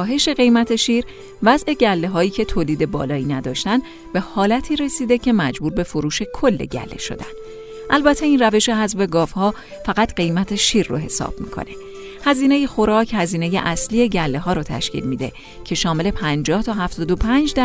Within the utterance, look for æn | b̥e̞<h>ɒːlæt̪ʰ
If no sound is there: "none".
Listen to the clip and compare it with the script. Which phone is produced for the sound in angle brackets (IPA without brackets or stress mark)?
h